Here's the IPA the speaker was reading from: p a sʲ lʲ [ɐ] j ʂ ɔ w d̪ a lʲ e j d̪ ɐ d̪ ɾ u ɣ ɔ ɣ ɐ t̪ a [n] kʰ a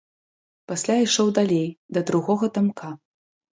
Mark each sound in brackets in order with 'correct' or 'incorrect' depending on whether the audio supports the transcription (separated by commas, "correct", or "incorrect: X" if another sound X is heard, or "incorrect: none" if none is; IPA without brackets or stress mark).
incorrect: a, incorrect: m